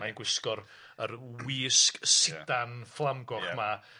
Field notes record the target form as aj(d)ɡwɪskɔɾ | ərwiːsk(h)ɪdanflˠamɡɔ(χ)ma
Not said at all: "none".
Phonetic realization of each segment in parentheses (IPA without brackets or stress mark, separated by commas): n, s, χ